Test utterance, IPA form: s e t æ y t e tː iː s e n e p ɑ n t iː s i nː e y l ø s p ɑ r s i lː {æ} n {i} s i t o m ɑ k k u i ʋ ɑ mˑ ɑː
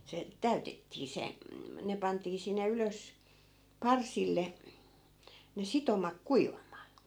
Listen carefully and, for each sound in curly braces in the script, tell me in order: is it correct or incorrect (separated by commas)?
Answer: incorrect, incorrect